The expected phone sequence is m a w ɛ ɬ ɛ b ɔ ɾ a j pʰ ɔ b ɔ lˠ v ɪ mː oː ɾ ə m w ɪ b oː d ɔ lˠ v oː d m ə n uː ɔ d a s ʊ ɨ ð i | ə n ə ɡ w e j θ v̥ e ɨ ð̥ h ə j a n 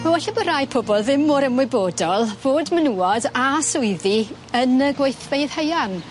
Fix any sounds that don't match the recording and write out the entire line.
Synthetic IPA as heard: m a w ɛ ɬ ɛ b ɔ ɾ a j pʰ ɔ b ɔ lˠ ð ɪ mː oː ɾ ə m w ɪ b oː d ɔ lˠ v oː d m ə n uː ɔ d a s ʊ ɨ ð i | ə n ə ɡ w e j θ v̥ e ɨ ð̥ h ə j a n